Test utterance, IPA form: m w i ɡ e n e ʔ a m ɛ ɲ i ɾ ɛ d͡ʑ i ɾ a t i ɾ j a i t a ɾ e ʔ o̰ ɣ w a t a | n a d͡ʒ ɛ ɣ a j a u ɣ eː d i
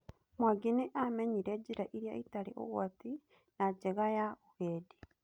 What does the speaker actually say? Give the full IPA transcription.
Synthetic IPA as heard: m w a ɡ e n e ʔ a m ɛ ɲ i ɾ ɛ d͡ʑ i ɾ a ʔ i ɾ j a i t a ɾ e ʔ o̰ ɣ w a t i | n a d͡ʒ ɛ ɣ a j a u ɣ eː d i